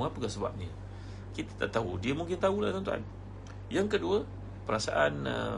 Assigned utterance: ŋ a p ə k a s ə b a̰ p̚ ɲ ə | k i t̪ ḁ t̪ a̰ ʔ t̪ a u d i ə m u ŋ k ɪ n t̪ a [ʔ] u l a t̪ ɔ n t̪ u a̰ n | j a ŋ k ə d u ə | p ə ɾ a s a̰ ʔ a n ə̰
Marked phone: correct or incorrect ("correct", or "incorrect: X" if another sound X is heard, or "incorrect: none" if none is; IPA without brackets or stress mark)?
incorrect: none